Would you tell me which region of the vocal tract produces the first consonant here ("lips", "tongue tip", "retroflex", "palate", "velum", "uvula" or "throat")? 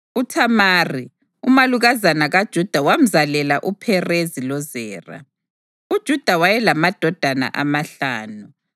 tongue tip